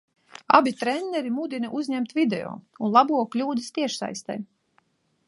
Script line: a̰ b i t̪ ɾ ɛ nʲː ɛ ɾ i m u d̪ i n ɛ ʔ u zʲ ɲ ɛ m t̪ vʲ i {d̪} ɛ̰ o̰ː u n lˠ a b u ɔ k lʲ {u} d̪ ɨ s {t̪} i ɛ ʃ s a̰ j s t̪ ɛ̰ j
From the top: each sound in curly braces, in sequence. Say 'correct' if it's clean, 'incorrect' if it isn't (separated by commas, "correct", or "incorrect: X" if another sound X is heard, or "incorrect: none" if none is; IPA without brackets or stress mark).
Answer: correct, incorrect: uː, correct